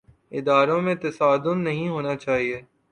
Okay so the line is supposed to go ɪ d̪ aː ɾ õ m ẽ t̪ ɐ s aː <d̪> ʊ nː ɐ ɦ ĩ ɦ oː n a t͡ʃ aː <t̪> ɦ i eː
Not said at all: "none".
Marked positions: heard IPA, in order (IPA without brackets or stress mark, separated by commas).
d̪, none